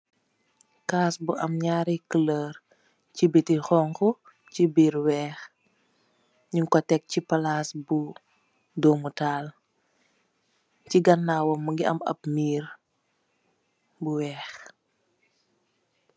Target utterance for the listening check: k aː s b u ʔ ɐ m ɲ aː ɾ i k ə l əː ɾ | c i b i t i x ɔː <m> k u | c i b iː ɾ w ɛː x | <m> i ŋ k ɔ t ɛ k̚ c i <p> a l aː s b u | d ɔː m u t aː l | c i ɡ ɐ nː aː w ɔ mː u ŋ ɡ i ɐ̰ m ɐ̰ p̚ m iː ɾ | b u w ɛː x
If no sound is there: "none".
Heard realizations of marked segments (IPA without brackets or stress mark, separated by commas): ŋ, ɲ, p